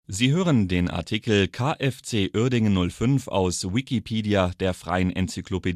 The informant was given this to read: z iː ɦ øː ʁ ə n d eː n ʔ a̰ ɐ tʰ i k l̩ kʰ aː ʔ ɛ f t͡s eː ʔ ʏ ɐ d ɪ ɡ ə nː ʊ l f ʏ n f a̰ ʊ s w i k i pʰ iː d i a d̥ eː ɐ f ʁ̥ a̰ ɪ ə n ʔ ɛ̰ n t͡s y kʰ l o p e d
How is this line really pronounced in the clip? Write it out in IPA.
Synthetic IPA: z iː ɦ øː ʁ ə n d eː n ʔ a̰ ɐ tʰ i k l̩ kʰ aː ʔ ɛ f t͡s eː ʔ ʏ ɐ d ɪ ŋ ə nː ʊ l f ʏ n f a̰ ʊ s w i k i pʰ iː d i a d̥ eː ɐ f ʁ̥ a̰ ɪ ə n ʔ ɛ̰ n t͡s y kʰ l o p e d